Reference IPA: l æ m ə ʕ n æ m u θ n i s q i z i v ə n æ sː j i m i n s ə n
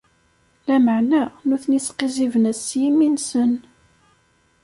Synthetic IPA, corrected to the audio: l æ m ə ʕ n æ n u θ n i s q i z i v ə n æ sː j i m i n s ə n